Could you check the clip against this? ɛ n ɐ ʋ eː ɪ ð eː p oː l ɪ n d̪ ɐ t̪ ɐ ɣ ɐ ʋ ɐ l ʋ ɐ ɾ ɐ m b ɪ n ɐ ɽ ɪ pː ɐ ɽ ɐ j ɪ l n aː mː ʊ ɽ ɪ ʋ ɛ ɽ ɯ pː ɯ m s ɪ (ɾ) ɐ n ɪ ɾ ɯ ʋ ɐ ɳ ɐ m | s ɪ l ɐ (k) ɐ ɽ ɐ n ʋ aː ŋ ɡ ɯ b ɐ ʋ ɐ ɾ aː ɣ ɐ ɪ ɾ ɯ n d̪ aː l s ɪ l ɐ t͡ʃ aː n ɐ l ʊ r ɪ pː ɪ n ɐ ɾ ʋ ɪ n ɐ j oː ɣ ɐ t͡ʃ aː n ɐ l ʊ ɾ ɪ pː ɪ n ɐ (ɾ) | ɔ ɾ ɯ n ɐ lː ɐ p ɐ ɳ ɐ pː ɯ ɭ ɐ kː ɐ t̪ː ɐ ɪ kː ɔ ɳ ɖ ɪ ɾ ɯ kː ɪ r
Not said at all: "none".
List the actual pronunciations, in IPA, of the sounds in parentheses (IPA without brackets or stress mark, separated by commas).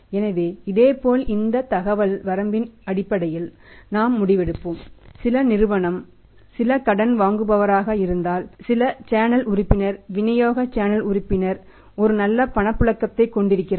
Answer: l, k, ɾ